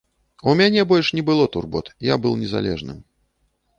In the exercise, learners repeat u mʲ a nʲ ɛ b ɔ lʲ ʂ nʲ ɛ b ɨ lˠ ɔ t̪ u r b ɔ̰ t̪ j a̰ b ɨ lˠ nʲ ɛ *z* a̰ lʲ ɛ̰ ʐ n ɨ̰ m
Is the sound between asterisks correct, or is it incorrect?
correct